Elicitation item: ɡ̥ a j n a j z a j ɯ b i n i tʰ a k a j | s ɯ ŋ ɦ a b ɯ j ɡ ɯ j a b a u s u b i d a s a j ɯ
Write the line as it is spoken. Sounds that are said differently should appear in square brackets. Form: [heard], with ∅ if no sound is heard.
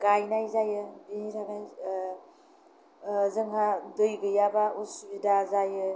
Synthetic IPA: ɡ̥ a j n a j z a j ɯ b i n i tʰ a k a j | [z] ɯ ŋ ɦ a [d] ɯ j ɡ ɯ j a b a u s u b i d a [z] a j ɯ